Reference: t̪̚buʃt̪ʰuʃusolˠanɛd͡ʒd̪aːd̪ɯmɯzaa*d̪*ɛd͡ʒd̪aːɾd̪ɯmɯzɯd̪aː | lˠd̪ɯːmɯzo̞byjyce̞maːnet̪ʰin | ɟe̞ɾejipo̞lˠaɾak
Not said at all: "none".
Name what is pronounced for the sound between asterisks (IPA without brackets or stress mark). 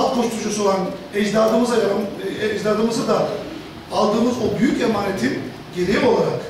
none